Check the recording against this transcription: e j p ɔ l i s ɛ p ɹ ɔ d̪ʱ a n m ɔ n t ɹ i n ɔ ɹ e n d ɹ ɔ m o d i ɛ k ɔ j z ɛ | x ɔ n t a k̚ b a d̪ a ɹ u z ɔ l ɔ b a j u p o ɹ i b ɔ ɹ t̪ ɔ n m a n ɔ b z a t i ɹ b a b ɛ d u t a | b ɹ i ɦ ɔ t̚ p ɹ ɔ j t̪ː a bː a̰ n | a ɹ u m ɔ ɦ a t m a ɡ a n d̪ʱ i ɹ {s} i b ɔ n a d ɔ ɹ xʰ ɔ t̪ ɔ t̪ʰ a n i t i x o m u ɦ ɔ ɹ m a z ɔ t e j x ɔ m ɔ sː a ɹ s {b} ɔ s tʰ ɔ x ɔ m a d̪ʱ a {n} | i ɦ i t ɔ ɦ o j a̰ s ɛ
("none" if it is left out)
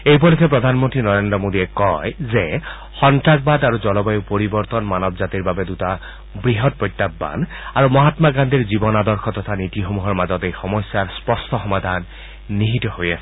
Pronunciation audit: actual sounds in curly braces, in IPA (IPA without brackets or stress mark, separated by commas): z, p, nː